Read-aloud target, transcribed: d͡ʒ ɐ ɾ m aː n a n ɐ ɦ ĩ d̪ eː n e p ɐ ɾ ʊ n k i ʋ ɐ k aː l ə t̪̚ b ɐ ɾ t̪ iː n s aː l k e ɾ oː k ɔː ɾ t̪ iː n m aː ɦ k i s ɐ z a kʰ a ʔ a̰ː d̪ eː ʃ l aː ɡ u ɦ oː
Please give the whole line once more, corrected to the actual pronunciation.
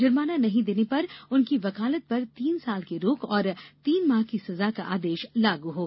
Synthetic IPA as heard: d͡ʒ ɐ ɾ m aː n a n ɐ ɦ ĩ d̪ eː n e p ɐ ɾ ʊ n k i ʋ ɐ k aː l ə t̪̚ p ɐ ɾ t̪ iː n s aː l k e ɾ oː k ɔː ɾ t̪ iː n m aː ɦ k i s ɐ z a k a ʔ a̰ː d̪ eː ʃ l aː ɡ u ɦ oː